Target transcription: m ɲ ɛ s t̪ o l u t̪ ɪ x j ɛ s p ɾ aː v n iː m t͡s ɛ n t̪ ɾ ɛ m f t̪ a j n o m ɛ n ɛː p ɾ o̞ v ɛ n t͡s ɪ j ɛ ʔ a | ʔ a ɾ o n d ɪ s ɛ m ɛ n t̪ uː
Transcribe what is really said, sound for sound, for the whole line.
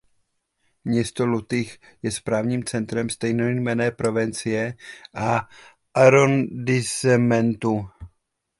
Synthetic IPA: m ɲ ɛ s t̪ o l u t̪ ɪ x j ɛ s p ɾ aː v ɲ iː m t͡s ɛ n t̪ ɾ ɛ m s t̪ ɛ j n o m ɛ n ɛː p ɾ o̞ v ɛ n t͡s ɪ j ɛ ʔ a | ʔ a ɾ o n d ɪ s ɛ m ɛ n t̪ u